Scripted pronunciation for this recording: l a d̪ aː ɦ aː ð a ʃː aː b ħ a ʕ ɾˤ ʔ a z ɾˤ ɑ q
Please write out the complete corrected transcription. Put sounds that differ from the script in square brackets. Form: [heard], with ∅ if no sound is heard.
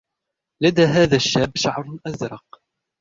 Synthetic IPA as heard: l a d̪ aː ɦ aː ð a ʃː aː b [ʃ] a ʕ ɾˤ ʔ a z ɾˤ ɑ q